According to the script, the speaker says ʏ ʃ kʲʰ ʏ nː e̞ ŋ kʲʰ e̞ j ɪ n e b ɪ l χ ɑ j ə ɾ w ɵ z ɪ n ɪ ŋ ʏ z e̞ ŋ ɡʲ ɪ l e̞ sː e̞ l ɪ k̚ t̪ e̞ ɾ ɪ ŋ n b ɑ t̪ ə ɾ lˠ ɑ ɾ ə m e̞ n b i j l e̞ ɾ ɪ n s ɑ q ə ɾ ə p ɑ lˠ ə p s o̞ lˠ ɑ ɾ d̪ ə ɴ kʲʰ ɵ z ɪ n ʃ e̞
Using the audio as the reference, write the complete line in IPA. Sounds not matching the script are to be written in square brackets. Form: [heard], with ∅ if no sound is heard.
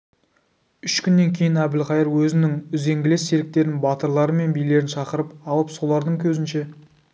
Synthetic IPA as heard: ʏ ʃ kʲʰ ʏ nː e̞ ŋ kʲʰ e̞ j ɪ n [æ] b ɪ l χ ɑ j ə ɾ w ɵ z ɪ n ɪ ŋ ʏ z e̞ ŋ ɡʲ ɪ l e̞ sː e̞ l ɪ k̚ t̪ e̞ ɾ ɪ [∅] n b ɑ t̪ ə ɾ lˠ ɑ ɾ ə m e̞ n b i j l e̞ ɾ ɪ n [ʃ] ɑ q ə ɾ ə p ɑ lˠ ə p s o̞ lˠ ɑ ɾ d̪ ə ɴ kʲʰ ɵ z ɪ n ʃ e̞